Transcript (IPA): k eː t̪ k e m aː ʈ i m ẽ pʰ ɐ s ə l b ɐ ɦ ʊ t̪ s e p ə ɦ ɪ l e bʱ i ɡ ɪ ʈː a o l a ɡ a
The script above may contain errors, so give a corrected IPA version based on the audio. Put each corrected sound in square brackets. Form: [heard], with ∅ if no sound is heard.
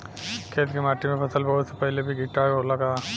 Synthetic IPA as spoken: [kʰ] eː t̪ k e m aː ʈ i m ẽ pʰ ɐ s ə l b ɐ ɦ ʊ t̪ s e p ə ɦ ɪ l e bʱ i ɡ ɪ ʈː a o l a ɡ a